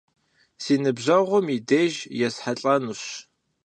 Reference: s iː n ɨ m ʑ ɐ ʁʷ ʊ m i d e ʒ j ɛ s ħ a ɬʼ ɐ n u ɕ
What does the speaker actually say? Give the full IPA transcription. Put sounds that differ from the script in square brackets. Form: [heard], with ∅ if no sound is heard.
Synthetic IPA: s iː n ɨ [b] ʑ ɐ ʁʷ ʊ m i d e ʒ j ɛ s ħ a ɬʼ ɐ n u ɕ